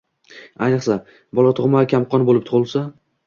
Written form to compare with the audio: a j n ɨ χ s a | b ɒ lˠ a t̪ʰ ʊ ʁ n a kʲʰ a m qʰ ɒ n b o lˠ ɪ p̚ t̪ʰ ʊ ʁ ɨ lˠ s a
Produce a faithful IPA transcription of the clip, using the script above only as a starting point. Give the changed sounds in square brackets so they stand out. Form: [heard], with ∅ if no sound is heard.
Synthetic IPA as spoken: a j n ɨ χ s a | b ɒ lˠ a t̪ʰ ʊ ʁ [m] a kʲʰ a m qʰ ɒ n b o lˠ ɪ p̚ t̪ʰ ʊ ʁ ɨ lˠ s a